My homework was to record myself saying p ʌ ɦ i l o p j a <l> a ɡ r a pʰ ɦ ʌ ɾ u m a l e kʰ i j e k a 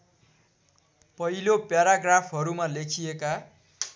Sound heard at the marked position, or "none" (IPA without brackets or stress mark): ɾ